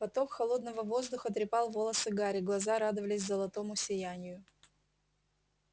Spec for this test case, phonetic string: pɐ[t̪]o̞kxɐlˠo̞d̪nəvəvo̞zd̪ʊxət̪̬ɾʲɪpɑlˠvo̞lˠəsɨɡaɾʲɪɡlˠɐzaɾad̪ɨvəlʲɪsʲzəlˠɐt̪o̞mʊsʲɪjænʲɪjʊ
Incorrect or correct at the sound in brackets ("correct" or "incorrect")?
correct